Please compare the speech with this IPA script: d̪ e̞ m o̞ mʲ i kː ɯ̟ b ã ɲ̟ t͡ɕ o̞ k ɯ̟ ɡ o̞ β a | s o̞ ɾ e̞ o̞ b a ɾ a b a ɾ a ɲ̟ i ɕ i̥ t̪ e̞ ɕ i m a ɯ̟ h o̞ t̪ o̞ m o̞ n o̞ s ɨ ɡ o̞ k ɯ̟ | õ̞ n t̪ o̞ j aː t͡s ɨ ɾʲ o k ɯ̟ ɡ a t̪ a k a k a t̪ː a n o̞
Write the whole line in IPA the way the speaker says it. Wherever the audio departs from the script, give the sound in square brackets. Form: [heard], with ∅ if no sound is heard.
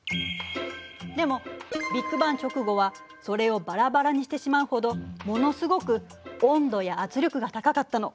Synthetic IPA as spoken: d̪ e̞ m o̞ [bʲ] i kː ɯ̟ b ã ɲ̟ t͡ɕ o̞ k ɯ̟ ɡ o̞ β a | s o̞ ɾ e̞ o̞ b a ɾ a b a ɾ a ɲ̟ i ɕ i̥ t̪ e̞ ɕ i m a ɯ̟ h o̞ [d̪] o̞ m o̞ n o̞ s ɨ ɡ o̞ k ɯ̟ | õ̞ n [d̪] o̞ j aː t͡s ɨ ɾʲ o k ɯ̟ ɡ a t̪ a k a k a t̪ː a n o̞